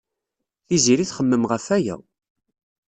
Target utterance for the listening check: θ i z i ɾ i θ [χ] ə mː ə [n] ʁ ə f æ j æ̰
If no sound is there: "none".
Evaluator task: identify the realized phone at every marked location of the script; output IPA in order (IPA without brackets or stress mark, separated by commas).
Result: χ, m